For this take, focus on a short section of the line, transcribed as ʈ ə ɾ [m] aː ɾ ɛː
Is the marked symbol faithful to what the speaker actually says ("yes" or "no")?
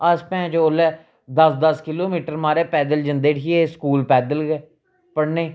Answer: yes